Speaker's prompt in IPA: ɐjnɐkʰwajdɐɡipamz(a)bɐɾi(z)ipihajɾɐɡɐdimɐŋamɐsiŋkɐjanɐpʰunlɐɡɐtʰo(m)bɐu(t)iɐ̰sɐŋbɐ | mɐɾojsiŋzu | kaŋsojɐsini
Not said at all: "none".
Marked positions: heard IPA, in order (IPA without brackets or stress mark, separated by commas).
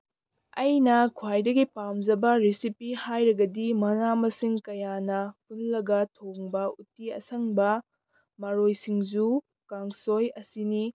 ɐ, s, ŋ, t